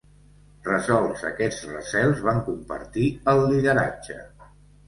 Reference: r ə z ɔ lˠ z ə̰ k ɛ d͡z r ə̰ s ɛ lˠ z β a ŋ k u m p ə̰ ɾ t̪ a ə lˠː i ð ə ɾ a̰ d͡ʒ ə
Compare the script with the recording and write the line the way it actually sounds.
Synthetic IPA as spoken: r ə z ɔ lˠ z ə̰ k ɛ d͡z r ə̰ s ɛ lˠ z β a ŋ k u m p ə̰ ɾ t̪ i ə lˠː i ð ə ɾ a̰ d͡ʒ ə